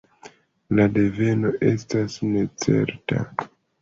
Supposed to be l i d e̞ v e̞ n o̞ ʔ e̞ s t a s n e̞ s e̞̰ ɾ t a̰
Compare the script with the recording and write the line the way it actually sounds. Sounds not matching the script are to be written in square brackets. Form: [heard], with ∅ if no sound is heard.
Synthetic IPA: l [a] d e̞ v e̞ n o̞ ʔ e̞ s t a s n e̞ [t͡s] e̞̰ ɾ t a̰